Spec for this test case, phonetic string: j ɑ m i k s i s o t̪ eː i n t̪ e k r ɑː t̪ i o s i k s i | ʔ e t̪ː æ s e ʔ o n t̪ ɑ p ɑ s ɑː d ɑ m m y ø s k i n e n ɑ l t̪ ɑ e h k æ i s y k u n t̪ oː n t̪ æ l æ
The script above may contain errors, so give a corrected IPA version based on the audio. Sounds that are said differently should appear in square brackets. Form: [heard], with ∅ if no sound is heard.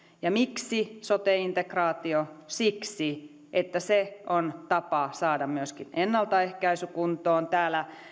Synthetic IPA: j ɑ m i k s i s o t̪ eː i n t̪ e k r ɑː t̪ i o s i k s i | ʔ e t̪ː æ s e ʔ o n t̪ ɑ p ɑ s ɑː d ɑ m m y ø s k i n e [nː] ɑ l t̪ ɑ e h k æ i s y k u n t̪ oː n t̪ [æː] l æ